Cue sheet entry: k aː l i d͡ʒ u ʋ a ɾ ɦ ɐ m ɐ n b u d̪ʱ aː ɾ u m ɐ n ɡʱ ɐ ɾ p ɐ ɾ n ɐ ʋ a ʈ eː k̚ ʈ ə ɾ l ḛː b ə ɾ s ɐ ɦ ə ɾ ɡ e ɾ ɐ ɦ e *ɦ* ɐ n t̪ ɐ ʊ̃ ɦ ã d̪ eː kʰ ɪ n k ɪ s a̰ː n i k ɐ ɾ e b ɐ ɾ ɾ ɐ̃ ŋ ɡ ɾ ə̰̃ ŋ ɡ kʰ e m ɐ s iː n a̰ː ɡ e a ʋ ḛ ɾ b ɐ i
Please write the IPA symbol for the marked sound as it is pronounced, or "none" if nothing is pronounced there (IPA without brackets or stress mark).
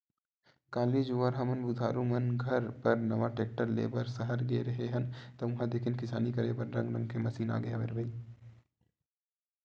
ɦ